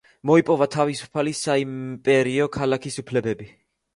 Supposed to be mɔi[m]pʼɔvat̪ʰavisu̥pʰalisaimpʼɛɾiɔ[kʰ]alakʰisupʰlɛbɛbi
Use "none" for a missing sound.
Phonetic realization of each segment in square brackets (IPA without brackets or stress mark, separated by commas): none, kʰ